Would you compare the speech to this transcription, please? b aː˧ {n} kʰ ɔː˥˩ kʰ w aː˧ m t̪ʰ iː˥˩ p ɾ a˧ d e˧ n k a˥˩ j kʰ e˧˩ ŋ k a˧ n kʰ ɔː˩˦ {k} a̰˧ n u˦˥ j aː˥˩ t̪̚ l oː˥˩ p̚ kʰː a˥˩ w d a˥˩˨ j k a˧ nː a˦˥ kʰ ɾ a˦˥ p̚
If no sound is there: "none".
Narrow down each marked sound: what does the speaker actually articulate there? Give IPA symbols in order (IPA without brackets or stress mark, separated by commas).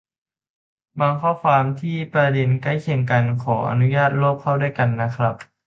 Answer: ŋ, ʔ